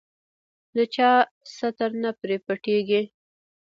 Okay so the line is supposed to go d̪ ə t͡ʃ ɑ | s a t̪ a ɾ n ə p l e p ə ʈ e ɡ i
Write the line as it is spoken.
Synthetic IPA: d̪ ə t͡ʃ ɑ | s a t̪ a ɾ n a p ɾ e p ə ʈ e ɡ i